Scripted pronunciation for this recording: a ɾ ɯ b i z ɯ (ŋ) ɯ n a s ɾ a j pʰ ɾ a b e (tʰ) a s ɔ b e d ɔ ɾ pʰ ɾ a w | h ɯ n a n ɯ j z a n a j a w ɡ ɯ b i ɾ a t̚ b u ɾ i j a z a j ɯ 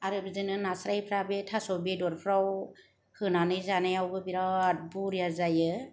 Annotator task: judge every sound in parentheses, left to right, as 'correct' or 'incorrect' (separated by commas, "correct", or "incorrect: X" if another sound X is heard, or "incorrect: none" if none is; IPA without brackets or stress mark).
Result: incorrect: n, correct